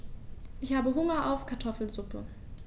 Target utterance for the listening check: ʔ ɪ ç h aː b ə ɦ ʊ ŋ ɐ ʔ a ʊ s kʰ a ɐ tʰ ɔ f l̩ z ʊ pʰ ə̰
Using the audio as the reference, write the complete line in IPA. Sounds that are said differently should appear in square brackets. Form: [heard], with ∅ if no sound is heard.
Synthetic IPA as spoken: ʔ ɪ ç h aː b ə ɦ ʊ ŋ ɐ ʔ a ʊ [f] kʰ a ɐ tʰ ɔ f l̩ z ʊ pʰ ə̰